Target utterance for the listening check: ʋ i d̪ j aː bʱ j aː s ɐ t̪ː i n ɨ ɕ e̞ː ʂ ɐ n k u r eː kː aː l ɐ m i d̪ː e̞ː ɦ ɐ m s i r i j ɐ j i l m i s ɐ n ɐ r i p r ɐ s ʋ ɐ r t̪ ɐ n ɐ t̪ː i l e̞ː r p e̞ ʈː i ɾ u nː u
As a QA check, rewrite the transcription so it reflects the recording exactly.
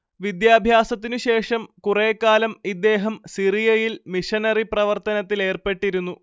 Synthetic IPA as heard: ʋ i d̪ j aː bʱ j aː s ɐ t̪ː i n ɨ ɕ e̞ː ʂ ɐ m k u r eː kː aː l ɐ m i d̪ː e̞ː ɦ ɐ m s i r i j ɐ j i l m i ʂ ɐ n ɐ r i p r ɐ ʋ ɐ r t̪ ɐ n ɐ t̪ː i l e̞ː r p e̞ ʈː i ɾ u nː u